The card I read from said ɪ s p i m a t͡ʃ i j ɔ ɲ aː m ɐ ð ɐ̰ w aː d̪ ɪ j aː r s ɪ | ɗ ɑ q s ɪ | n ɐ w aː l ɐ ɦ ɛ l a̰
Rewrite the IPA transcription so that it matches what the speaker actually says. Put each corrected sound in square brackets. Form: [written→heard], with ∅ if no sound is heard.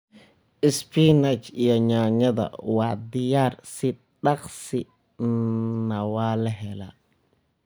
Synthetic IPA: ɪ s p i [m→n] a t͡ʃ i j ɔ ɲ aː [m→ɲ] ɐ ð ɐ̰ w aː d̪ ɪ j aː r s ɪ | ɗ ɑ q s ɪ | n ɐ w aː l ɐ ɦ ɛ l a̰